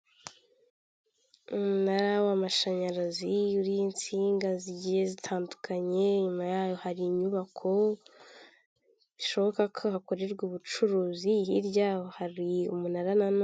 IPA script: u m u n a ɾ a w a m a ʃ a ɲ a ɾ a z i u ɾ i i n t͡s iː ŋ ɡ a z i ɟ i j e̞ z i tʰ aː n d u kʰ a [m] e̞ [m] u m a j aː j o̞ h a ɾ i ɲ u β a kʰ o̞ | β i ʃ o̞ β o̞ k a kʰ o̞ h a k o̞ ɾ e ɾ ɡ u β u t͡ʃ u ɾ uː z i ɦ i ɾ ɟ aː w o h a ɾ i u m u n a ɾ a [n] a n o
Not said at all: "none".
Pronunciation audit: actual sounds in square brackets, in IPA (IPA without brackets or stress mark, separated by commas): ɲ, ɲ, n